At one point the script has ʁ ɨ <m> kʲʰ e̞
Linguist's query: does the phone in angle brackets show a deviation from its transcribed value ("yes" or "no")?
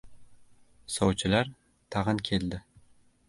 yes